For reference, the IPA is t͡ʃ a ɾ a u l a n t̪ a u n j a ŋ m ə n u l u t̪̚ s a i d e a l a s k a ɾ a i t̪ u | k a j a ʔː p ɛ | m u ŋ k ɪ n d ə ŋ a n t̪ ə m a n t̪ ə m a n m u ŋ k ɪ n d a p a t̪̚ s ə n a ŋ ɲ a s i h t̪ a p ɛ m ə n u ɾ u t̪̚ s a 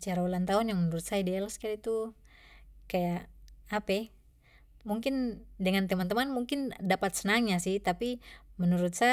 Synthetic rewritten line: t͡ʃ a ɾ a u l a n t̪ a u n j a ŋ m ə n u ɾ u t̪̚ s a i d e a l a s k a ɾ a i t̪ u | k a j a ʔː p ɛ | m u ŋ k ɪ n d ə ŋ a n t̪ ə m a n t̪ ə m a n m u ŋ k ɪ n d a p a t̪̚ s ə n a ŋ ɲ a s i h t̪ a p i m ə n u ɾ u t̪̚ s a